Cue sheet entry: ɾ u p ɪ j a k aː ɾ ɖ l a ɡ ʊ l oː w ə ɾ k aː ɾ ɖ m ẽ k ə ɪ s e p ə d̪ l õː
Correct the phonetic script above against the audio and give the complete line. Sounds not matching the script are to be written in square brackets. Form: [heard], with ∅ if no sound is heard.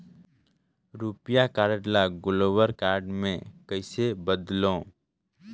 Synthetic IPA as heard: ɾ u p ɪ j a k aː ɾ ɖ l a ɡ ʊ l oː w ə ɾ k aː ɾ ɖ m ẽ k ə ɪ s e [b] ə d̪ l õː